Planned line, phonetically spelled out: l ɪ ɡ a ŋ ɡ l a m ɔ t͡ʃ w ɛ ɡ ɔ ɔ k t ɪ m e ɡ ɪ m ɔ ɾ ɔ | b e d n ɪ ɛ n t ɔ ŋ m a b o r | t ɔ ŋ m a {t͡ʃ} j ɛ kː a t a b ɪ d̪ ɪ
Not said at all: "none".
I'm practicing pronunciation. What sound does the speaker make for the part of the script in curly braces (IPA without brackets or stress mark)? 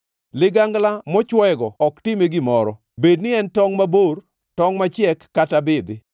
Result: t͡ʃ